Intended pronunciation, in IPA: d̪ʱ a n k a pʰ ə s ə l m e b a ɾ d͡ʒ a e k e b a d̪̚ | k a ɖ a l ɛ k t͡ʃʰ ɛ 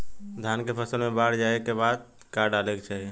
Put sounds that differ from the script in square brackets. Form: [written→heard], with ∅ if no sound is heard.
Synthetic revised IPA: d̪ʱ a n k [a→e] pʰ ə s ə l m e b a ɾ d͡ʒ a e k e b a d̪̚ | k a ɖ a l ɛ k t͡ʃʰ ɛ